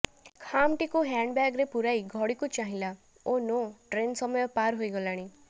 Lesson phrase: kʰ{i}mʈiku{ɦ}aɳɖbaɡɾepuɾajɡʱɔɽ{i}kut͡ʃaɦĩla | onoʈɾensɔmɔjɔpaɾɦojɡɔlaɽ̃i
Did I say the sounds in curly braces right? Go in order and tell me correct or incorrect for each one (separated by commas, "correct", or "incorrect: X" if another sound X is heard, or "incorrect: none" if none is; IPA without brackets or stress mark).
incorrect: a, correct, correct